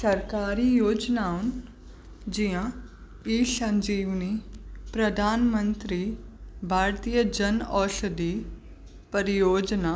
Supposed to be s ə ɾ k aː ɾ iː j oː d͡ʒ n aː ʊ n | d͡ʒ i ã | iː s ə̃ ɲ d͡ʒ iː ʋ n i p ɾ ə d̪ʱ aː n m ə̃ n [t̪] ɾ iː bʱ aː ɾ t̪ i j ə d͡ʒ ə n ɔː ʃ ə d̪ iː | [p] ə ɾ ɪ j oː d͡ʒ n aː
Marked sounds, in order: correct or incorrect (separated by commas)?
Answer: correct, correct